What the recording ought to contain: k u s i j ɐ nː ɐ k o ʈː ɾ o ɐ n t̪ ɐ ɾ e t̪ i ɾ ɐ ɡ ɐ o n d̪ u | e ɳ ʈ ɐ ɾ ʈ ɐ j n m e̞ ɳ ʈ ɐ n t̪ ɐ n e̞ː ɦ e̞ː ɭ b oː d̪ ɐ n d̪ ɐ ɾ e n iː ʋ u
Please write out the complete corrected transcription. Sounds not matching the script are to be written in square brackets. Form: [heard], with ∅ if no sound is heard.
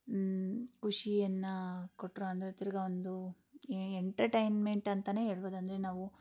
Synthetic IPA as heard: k u [ʂ] i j ɐ nː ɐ k o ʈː ɾ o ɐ n [d̪] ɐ ɾ e t̪ i ɾ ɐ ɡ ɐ o n d̪ u | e ɳ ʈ ɐ ɾ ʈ ɐ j n m e̞ ɳ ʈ ɐ n t̪ ɐ n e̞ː ɦ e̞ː ɭ b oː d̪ ɐ n d̪ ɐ ɾ e n [aː] ʋ u